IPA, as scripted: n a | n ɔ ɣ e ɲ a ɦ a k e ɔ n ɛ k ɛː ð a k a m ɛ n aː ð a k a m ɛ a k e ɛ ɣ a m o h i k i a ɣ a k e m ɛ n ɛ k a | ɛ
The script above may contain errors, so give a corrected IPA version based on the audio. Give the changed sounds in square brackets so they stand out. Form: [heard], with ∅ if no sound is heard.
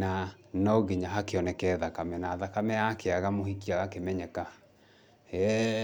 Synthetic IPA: n a | n ɔ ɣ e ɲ a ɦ a k e ɔ n ɛ k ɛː ð a k a m ɛ n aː ð a k a m ɛ a k e [a] ɣ a m o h i k i a ɣ a k e m ɛ [ɲ] ɛ k a | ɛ